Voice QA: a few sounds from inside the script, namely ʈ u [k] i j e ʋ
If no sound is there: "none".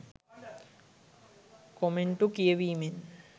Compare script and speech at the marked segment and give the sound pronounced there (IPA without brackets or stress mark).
k